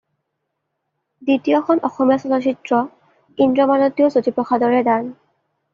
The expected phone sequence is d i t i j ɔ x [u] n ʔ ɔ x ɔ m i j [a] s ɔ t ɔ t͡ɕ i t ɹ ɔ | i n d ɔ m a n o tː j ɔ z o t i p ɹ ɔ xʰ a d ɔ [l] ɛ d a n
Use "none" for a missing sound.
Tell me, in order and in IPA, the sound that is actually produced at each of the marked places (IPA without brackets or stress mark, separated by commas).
ɔ, a, ɹ